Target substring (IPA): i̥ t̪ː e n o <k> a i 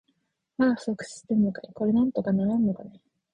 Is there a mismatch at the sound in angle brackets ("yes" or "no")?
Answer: no